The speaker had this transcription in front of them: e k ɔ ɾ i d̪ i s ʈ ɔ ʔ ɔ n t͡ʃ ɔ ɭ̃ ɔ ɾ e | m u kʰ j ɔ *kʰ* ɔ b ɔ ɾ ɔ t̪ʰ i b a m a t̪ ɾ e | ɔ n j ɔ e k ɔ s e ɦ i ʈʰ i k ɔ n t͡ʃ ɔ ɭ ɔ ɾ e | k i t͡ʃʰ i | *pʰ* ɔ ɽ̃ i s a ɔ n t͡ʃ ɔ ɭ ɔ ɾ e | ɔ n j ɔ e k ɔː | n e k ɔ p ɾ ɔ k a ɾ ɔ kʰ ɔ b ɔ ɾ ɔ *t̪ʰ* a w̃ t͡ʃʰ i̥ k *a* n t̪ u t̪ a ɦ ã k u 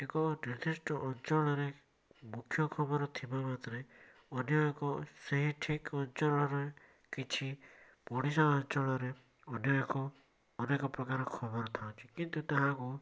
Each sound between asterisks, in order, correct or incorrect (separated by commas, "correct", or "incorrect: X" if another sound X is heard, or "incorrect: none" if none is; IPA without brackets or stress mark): correct, incorrect: p, correct, incorrect: i